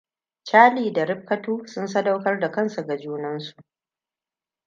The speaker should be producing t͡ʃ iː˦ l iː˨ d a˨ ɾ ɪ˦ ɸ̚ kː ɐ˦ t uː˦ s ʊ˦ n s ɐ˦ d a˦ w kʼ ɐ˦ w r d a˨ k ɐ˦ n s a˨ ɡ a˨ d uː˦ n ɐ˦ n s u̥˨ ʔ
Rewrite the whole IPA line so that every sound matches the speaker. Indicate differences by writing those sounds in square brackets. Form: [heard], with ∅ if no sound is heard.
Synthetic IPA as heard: t͡ʃ [aː˦] l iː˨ d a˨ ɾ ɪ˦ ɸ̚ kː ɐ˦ t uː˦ s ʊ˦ n s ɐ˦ d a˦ w [k] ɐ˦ [∅] r d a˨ k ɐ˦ n s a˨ ɡ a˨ [d͡ʒ] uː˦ n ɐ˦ n s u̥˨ ʔ